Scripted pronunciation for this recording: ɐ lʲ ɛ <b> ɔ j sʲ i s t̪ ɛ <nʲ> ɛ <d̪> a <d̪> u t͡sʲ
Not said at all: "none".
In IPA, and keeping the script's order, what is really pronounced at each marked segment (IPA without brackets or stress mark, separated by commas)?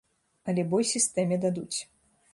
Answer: b, mʲ, d̪, d̪